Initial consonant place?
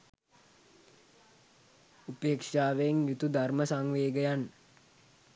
labial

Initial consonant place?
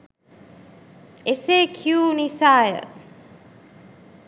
alveolar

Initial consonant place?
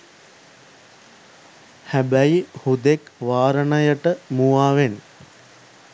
glottal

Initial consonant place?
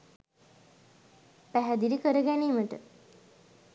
labial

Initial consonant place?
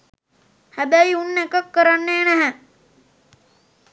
glottal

